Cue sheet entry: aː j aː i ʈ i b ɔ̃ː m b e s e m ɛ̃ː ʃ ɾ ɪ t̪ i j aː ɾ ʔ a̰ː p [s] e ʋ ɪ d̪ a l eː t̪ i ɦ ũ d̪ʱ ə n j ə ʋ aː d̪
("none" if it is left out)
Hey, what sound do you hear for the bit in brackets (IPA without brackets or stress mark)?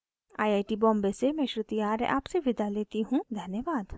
s